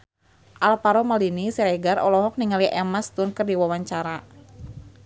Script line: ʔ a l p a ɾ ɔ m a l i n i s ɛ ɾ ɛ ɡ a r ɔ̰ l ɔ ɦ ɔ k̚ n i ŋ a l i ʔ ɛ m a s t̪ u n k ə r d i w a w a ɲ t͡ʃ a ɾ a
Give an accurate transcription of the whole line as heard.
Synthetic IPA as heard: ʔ a l p a ɾ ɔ m a l i n i s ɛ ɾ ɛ ɡ a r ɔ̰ l ɔ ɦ ɔ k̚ n i ŋ a l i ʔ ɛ m a s t̪ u n k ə r d i w a w a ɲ t͡ʃ a ɾ a